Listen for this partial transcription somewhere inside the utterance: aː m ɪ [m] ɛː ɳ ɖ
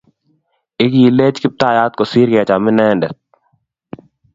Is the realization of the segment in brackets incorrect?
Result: yes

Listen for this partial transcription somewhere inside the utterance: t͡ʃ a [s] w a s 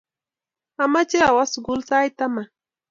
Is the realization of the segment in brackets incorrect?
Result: yes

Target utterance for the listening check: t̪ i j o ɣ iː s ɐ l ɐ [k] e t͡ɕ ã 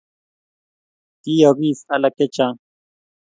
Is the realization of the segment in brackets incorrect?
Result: no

